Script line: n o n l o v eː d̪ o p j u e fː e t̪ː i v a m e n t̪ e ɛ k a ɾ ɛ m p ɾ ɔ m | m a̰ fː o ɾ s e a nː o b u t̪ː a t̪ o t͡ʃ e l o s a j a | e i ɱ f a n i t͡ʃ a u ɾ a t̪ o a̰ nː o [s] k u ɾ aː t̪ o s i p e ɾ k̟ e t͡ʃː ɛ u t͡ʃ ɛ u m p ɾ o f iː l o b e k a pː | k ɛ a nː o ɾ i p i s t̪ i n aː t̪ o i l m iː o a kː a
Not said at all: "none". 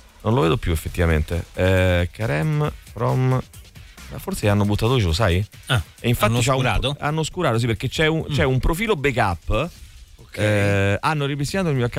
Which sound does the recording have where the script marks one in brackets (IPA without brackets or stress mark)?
s